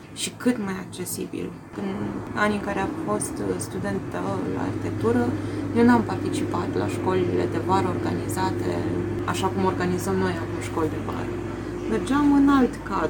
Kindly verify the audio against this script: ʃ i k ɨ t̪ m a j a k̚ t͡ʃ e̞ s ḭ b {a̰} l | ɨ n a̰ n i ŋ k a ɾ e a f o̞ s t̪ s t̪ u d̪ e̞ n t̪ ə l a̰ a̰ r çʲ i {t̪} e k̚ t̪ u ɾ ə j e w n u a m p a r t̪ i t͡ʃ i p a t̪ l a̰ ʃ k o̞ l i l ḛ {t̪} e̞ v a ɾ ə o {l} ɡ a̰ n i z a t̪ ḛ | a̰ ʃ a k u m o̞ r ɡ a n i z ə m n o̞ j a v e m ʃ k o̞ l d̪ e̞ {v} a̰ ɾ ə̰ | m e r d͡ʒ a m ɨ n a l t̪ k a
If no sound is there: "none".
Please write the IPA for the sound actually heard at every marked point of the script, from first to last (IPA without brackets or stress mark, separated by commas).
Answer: ḭ, t̪, d̪, r, v